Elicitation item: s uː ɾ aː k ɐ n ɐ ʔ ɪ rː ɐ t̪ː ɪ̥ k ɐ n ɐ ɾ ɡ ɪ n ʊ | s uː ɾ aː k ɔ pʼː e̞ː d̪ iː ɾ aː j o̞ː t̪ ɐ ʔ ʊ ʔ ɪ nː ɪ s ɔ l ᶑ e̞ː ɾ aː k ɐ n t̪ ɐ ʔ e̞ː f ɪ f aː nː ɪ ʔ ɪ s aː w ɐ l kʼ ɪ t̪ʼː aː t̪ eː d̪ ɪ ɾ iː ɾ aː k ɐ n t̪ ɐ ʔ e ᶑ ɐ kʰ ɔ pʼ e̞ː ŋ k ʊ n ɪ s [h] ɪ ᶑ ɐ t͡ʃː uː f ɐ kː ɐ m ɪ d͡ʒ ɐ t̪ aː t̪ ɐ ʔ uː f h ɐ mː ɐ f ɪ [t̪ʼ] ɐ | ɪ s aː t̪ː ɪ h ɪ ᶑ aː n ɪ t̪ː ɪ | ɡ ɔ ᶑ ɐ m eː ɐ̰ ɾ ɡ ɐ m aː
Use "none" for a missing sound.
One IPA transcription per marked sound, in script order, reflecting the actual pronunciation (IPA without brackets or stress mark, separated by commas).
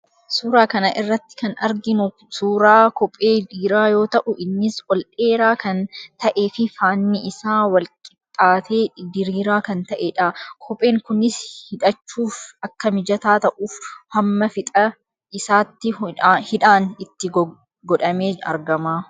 h, t̪ʼ